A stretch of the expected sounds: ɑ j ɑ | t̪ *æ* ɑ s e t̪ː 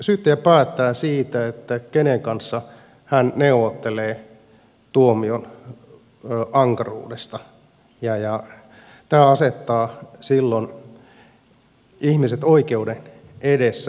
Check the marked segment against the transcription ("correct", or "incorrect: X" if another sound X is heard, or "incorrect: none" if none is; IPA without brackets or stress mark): incorrect: æː